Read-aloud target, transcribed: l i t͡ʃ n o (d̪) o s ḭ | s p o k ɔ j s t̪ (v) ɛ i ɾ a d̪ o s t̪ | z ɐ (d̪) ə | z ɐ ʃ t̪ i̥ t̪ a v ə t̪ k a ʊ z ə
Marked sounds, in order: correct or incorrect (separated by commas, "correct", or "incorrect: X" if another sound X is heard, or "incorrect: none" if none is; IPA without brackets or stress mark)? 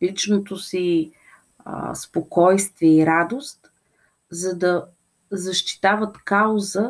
incorrect: t̪, correct, correct